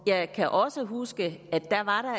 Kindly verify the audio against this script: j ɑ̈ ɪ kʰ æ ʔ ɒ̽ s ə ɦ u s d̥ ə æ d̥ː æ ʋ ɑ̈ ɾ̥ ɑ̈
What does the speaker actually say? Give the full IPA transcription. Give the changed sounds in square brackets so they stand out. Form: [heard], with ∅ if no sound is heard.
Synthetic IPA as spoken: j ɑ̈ ɪ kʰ æ ʔ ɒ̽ s ə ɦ u s [ɡ̥] ə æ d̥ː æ ʋ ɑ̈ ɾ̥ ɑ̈